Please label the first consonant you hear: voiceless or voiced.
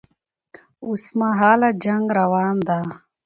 voiceless